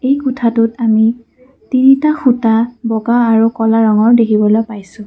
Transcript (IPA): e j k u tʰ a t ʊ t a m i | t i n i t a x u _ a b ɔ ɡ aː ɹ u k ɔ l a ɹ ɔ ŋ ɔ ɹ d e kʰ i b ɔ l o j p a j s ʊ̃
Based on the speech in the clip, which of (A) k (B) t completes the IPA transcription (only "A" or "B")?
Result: B